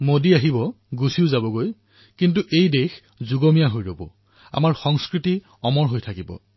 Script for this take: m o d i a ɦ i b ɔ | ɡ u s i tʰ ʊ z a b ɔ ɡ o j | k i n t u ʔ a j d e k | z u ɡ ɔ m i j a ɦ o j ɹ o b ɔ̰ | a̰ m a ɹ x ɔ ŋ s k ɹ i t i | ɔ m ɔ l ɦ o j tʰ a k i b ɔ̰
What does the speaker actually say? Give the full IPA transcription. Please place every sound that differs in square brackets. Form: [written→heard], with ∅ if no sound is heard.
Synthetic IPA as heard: m o d i a ɦ i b ɔ | ɡ u s i [tʰ→∅] ʊ z a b ɔ ɡ o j | k i n t u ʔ [a→e] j d e [k→x] | z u ɡ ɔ m i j a ɦ o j ɹ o b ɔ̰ | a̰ m a ɹ x ɔ ŋ s k ɹ i t i | ɔ m ɔ [l→ɹ] ɦ o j tʰ a k i b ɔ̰